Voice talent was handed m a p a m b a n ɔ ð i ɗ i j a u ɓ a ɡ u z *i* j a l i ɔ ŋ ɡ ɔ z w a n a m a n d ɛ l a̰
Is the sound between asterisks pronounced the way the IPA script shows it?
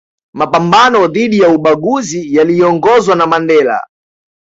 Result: yes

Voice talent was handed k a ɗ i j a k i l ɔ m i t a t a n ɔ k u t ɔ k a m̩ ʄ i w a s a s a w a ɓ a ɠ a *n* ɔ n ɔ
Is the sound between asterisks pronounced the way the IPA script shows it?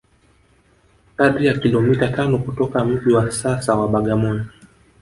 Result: no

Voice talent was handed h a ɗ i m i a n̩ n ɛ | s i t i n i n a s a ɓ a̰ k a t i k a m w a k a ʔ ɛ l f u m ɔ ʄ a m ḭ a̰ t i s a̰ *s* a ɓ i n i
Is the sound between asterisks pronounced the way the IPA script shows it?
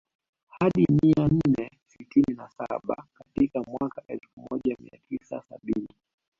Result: yes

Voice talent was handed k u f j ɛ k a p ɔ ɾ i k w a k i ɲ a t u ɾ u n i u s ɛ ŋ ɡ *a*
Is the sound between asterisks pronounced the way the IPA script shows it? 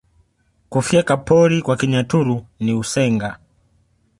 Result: yes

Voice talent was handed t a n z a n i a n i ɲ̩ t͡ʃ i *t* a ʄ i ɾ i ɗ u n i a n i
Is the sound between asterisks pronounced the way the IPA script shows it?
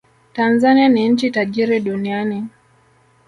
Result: yes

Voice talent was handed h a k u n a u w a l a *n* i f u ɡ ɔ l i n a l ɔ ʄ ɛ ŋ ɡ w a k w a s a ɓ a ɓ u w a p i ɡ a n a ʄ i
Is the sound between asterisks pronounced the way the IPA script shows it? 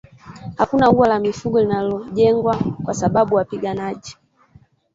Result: no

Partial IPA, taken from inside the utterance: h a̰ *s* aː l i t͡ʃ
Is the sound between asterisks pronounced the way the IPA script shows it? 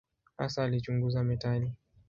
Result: yes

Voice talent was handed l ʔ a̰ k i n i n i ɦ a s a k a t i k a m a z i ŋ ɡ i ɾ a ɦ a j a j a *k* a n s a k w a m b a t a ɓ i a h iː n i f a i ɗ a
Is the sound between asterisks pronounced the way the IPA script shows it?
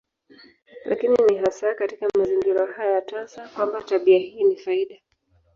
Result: no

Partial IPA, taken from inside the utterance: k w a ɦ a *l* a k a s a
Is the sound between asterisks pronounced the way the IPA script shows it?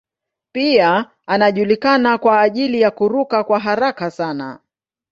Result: no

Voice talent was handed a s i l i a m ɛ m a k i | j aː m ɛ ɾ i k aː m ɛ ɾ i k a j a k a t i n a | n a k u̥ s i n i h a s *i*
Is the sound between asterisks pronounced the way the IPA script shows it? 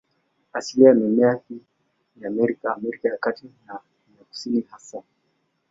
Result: no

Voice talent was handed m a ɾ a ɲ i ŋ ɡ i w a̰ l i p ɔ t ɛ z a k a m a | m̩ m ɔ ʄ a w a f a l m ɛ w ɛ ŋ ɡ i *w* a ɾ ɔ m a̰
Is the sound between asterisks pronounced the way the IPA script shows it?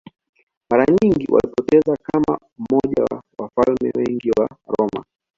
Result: yes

